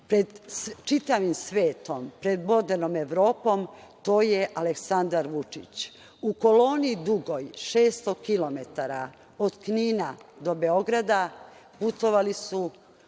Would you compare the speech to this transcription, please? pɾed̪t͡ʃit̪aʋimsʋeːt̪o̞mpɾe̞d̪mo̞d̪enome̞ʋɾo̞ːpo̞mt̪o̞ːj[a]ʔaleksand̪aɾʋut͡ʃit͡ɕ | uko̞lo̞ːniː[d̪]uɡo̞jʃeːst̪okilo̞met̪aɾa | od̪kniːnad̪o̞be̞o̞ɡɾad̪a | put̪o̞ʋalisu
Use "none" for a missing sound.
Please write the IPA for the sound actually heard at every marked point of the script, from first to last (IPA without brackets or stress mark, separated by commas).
e, d̪